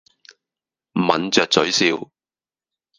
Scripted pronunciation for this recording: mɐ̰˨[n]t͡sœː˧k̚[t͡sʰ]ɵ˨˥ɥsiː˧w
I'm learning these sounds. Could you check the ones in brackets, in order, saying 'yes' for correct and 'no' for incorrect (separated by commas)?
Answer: yes, no